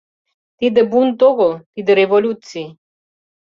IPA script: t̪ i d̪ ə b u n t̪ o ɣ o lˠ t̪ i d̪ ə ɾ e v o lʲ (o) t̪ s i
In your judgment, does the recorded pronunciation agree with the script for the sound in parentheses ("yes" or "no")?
no